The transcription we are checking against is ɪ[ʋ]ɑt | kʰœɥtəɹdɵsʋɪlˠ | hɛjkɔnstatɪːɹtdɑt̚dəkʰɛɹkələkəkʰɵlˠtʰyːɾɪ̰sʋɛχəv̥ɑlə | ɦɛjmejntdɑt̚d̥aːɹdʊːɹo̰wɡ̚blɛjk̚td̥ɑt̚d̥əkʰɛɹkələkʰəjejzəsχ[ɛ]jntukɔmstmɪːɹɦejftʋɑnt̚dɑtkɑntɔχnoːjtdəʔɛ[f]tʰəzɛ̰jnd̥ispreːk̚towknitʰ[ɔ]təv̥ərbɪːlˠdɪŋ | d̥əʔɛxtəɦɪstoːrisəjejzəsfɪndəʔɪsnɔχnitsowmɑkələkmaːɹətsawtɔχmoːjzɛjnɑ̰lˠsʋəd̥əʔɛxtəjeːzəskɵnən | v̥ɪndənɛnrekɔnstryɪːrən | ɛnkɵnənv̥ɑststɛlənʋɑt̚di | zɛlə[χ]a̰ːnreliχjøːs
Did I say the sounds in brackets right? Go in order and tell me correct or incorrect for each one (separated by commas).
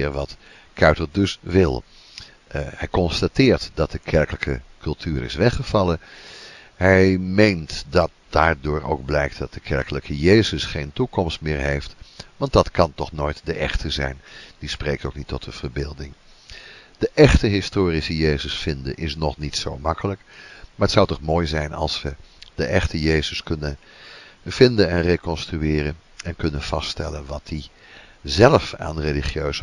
correct, incorrect, incorrect, correct, incorrect